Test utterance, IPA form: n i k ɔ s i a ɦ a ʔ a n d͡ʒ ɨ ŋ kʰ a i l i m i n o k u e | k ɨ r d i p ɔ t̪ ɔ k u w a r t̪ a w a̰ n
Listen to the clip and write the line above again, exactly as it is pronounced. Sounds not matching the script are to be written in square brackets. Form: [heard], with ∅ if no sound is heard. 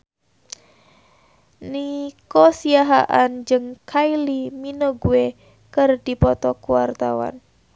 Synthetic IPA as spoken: n i k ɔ s i a ɦ a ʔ a n d͡ʒ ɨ ŋ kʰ a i l i m i n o [ɡ] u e | k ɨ r d i p ɔ t̪ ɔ k u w a r t̪ a w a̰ n